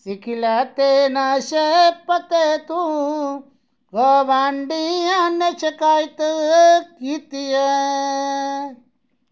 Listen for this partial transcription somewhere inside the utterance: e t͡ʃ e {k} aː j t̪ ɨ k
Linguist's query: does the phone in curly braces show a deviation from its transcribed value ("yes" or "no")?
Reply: no